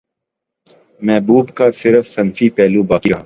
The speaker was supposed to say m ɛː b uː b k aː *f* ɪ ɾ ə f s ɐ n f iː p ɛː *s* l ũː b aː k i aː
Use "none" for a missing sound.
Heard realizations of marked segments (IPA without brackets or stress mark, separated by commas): s, none